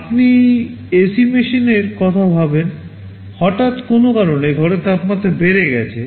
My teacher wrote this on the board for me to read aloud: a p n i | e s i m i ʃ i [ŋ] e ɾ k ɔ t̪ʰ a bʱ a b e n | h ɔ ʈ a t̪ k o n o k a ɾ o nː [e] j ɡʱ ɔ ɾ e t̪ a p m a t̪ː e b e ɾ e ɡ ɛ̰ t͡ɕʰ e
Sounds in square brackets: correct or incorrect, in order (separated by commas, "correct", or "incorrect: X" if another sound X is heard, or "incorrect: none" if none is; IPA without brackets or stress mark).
incorrect: n, correct